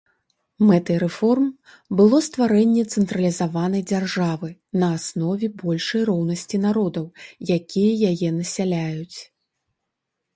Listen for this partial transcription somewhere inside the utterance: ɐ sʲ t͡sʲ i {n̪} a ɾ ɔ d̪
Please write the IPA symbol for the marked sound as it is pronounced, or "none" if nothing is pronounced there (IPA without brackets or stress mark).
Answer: n̪